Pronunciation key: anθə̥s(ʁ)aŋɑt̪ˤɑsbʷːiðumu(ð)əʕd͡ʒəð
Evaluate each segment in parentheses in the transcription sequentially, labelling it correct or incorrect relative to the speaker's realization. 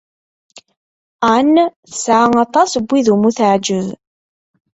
incorrect: ʕ, incorrect: θ

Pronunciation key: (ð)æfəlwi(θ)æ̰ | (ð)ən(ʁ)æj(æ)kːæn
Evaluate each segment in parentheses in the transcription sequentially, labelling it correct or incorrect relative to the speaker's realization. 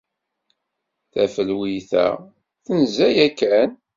incorrect: θ, correct, incorrect: θ, incorrect: z, correct

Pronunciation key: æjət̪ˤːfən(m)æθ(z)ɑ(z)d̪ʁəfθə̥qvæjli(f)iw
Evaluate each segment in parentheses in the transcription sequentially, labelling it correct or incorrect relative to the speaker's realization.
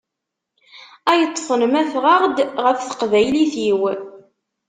correct, incorrect: ʁ, incorrect: ʁ, incorrect: θ

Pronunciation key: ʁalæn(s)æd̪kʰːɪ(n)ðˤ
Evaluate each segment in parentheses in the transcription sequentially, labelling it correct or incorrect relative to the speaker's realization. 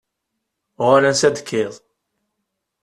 correct, incorrect: none

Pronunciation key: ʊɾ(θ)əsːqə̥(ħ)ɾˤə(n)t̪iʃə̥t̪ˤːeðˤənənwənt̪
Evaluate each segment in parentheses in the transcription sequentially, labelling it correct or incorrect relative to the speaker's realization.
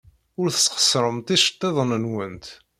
correct, incorrect: s, incorrect: m

